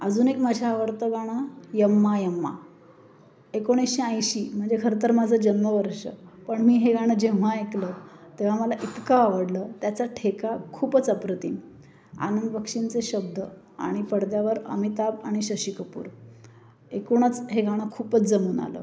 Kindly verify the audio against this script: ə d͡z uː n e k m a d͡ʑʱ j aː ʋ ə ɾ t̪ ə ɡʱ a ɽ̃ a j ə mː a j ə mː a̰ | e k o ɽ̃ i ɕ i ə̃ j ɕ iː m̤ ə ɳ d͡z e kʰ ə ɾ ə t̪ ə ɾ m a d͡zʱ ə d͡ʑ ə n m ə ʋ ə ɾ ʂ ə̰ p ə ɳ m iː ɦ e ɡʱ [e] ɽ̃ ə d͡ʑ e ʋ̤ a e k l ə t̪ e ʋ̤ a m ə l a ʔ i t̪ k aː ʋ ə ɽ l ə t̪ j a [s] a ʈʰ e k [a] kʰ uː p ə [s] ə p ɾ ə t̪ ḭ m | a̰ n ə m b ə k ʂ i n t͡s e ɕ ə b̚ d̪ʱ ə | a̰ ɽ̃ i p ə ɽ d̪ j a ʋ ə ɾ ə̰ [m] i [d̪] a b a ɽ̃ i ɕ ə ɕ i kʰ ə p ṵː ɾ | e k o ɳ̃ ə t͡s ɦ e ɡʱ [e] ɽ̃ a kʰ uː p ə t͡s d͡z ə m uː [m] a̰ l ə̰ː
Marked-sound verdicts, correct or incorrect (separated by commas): incorrect, incorrect, correct, incorrect, correct, incorrect, incorrect, incorrect